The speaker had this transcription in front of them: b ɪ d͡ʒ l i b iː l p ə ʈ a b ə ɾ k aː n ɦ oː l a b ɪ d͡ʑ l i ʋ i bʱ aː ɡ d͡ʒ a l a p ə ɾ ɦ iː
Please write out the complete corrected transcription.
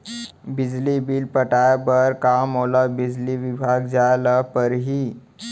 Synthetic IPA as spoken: b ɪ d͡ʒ l i b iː l p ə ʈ a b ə ɾ k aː m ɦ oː l a b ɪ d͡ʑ l i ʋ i bʱ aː ɡ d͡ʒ a l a p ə ɾ ɦ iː

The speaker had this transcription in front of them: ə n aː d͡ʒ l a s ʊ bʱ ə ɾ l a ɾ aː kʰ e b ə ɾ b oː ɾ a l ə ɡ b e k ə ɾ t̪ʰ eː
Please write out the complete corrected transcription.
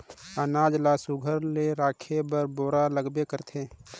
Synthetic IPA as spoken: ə n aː d͡ʒ l a s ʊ ɡʱ ə ɾ l e ɾ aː kʰ e b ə ɾ b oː ɾ a l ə ɡ b e k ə ɾ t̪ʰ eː

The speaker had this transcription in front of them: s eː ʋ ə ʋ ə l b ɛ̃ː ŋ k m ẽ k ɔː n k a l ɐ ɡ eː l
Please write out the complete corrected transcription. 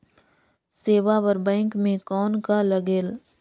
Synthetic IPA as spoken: s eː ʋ a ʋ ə ɾ b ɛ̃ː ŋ k m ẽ k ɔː n k a l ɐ ɡ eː l

